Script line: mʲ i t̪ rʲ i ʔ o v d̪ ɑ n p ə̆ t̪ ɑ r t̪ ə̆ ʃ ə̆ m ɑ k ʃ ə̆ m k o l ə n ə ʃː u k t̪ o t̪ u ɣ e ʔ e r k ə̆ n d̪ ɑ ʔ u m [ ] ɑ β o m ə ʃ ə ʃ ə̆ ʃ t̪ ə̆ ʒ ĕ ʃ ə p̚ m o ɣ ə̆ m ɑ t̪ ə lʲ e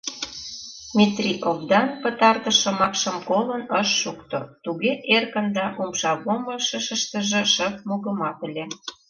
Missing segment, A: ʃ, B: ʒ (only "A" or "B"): A